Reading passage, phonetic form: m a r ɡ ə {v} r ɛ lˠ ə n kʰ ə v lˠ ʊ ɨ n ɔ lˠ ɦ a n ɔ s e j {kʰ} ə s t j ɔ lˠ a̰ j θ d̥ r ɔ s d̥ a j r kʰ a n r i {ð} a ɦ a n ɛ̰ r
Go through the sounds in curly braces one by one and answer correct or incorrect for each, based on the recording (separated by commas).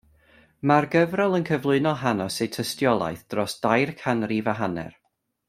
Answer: correct, incorrect, incorrect